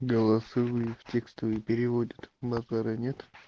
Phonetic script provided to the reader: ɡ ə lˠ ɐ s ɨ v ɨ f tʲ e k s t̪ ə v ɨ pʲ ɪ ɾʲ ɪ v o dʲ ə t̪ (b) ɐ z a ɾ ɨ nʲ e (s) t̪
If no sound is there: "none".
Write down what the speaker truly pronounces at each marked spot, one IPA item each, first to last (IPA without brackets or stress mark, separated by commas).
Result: b, none